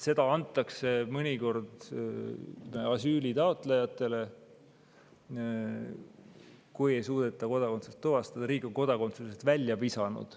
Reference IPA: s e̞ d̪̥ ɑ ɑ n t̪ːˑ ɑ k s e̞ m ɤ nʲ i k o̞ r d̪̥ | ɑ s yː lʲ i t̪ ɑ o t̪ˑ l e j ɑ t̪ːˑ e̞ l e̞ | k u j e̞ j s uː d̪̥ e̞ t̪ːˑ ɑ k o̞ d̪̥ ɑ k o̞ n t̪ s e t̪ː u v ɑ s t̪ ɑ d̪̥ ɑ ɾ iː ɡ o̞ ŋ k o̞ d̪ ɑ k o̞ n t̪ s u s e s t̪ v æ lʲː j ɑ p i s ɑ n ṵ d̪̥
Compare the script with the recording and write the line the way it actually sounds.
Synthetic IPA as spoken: s e̞ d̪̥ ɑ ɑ n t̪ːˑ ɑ k s e̞ m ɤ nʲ i k o̞ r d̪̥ | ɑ s yː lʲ i t̪ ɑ o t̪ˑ l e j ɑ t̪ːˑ e̞ l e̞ | k u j e̞ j s uː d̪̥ e̞ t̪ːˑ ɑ k o̞ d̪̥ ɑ k o̞ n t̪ s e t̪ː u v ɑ s t̪ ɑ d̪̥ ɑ ɾ iː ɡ o̞ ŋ k o̞ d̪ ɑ k o̞ n t̪ s u s e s t̪ v æ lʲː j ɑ p i s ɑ n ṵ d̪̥